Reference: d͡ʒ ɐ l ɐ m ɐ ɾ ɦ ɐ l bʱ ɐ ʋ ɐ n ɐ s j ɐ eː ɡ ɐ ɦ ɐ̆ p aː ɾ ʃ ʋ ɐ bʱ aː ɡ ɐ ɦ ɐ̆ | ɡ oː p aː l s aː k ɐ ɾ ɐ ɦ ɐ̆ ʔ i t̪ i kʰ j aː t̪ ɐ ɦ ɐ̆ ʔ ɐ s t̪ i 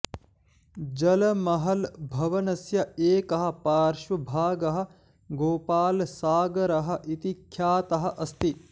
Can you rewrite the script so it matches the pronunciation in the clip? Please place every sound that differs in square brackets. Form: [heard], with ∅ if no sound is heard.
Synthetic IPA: d͡ʒ ɐ l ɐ m ɐ [∅] ɦ ɐ l bʱ ɐ ʋ ɐ n ɐ s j ɐ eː [k] ɐ ɦ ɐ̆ p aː ɾ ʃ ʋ ɐ bʱ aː ɡ ɐ ɦ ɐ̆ | ɡ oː p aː l s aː [ɡ] ɐ ɾ ɐ ɦ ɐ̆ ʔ i t̪ i kʰ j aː t̪ ɐ ɦ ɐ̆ ʔ ɐ s t̪ i

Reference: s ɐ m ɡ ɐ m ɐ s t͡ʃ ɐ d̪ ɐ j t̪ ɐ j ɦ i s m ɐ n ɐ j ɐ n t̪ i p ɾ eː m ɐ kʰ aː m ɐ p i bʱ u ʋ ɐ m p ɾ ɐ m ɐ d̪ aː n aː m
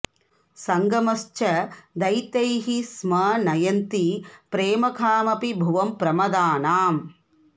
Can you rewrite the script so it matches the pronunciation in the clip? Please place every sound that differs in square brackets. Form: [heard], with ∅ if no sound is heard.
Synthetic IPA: s ɐ [ŋ] ɡ ɐ m ɐ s t͡ʃ ɐ d̪ ɐ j t̪ ɐ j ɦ i s m ɐ n ɐ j ɐ n t̪ i p ɾ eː m ɐ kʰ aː m ɐ p i bʱ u ʋ ɐ m p ɾ ɐ m ɐ d̪ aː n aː m

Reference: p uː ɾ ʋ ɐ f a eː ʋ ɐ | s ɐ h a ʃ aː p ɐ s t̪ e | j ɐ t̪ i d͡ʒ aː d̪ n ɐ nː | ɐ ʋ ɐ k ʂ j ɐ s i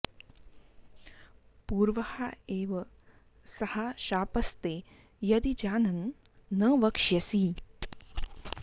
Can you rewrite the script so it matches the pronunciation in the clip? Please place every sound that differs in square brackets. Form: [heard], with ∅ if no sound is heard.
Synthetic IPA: p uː ɾ ʋ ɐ [h] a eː ʋ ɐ | s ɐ h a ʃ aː p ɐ s t̪ e | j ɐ [d̪] i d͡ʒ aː [∅] n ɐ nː | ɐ ʋ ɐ k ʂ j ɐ s i

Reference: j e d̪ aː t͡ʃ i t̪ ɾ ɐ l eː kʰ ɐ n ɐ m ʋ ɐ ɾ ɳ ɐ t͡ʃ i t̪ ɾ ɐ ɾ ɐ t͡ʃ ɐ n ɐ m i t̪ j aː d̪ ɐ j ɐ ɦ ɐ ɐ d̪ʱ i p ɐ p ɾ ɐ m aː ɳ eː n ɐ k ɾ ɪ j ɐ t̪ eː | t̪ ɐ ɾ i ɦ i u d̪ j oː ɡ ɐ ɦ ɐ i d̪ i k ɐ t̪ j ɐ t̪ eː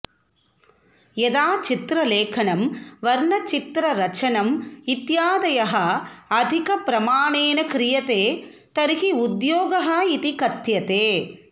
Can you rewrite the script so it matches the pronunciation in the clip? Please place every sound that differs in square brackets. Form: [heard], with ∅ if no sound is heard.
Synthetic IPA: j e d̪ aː t͡ʃ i t̪ ɾ ɐ l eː kʰ ɐ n ɐ m ʋ ɐ ɾ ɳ ɐ t͡ʃ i t̪ ɾ ɐ ɾ ɐ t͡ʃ ɐ n ɐ m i t̪ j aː d̪ ɐ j ɐ ɦ ɐ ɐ d̪ʱ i [k] ɐ p ɾ ɐ m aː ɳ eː n ɐ k ɾ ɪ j ɐ t̪ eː | t̪ ɐ ɾ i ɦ i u d̪ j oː ɡ ɐ ɦ ɐ i [t̪] i k ɐ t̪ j ɐ t̪ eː

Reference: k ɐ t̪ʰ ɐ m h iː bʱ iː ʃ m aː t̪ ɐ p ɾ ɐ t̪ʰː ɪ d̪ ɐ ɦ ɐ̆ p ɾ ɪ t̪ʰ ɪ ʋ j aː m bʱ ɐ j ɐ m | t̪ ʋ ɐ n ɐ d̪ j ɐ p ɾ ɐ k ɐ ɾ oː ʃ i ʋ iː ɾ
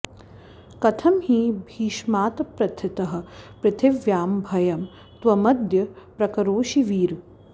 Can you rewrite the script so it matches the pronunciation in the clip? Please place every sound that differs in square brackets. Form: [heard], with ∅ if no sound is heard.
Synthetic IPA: k ɐ t̪ʰ ɐ m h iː bʱ iː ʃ m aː t̪ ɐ p ɾ ɐ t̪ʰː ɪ [t̪] ɐ ɦ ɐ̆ p ɾ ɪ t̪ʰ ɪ ʋ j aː m bʱ ɐ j ɐ m | t̪ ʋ ɐ [m] ɐ d̪ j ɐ p ɾ ɐ k ɐ ɾ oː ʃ i ʋ iː ɾ

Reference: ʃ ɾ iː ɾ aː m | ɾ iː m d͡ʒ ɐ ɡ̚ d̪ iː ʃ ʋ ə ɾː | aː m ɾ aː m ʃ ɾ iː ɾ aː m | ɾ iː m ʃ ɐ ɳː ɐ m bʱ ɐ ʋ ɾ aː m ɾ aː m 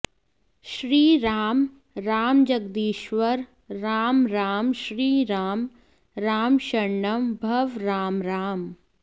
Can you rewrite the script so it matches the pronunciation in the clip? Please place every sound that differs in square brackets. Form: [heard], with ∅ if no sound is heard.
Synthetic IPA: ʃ ɾ iː ɾ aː m | ɾ [aː] m d͡ʒ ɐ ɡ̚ d̪ iː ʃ ʋ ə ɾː | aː m ɾ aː m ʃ ɾ iː ɾ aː m | ɾ [aː] m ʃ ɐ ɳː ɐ m bʱ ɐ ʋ ɾ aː m ɾ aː m

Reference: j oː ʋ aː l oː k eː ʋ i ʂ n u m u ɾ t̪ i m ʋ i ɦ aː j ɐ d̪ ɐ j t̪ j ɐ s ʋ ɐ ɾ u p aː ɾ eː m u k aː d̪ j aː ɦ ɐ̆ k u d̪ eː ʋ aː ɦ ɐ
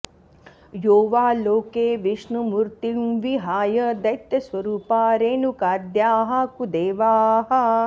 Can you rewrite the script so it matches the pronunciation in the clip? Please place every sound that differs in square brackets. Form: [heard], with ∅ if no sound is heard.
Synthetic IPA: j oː ʋ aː l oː k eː ʋ i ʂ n u m u ɾ t̪ i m ʋ i ɦ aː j ɐ d̪ ɐ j t̪ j ɐ s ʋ ɐ ɾ [uː] p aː ɾ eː [n] u k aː d̪ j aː ɦ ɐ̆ k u d̪ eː ʋ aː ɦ ɐ

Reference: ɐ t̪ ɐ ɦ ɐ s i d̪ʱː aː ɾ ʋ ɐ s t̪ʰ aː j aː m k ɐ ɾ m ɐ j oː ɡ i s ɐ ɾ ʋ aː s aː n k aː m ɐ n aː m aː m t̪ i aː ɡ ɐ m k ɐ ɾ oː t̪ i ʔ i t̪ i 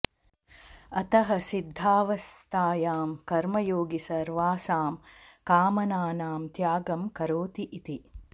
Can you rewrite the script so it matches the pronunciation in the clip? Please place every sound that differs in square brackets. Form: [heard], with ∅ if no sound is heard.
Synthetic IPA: ɐ t̪ ɐ ɦ ɐ s i d̪ʱː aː [∅] ʋ ɐ s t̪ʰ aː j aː m k ɐ ɾ m ɐ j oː ɡ i s ɐ ɾ ʋ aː s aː [m] k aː m ɐ n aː [n] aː m t̪ [j] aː ɡ ɐ m k ɐ ɾ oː t̪ i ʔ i t̪ i

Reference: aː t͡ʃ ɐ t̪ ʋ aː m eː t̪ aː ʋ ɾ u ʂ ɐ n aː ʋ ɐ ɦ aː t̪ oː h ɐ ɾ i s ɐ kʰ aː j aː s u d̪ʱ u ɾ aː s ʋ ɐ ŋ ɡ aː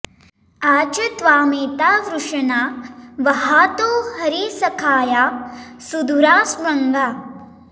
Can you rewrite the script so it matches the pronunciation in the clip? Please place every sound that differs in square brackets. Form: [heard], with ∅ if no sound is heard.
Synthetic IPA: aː t͡ʃ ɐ t̪ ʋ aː m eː t̪ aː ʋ ɾ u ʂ ɐ n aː ʋ ɐ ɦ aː t̪ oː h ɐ ɾ i s ɐ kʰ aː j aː s u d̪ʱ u ɾ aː s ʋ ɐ ŋ ɡ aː

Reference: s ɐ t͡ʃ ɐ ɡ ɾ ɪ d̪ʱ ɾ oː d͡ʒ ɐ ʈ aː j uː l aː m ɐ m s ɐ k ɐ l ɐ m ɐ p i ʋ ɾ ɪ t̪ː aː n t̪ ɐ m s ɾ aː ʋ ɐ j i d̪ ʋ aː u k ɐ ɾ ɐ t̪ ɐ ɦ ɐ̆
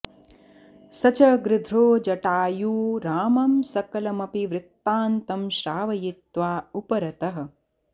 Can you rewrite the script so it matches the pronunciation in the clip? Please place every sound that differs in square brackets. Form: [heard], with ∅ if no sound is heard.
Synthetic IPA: s ɐ t͡ʃ ɐ ɡ ɾ ɪ d̪ʱ ɾ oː d͡ʒ ɐ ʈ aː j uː [ɾ] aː m ɐ m s ɐ k ɐ l ɐ m ɐ p i ʋ ɾ ɪ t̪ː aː n t̪ ɐ m [ʃ] ɾ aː ʋ ɐ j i [t̪] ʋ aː u [p] ɐ ɾ ɐ t̪ ɐ ɦ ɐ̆

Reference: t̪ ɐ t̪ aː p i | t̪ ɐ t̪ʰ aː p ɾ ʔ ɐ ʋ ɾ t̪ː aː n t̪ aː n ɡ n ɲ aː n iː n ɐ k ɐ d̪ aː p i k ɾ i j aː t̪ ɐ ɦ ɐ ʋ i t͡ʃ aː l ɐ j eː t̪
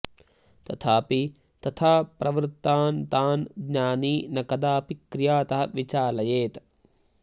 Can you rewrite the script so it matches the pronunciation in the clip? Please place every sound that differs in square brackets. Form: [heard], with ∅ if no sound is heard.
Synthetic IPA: t̪ ɐ [t̪ʰ] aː p i | t̪ ɐ t̪ʰ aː p ɾ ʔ ɐ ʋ ɾ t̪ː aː n t̪ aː n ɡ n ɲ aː n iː n ɐ k ɐ d̪ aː p i k ɾ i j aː t̪ ɐ ɦ ɐ ʋ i t͡ʃ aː l ɐ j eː t̪

